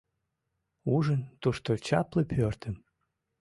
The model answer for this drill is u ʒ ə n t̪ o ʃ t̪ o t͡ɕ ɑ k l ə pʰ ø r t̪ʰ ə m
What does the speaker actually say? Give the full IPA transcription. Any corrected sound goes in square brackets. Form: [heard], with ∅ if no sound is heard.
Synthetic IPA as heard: u ʒ ə n t̪ [u] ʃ t̪ o t͡ɕ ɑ [p] l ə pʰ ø r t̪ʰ ə m